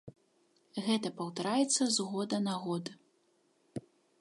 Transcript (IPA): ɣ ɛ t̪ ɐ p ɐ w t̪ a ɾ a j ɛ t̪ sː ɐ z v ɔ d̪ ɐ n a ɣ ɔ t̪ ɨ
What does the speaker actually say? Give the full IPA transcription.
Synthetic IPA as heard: ɣ ɛ t̪ ɐ p ɐ w t̪ a ɾ a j ɛ t̪ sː ɐ z ɣ ɔ d̪ ɐ n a ɣ ɔ d̪ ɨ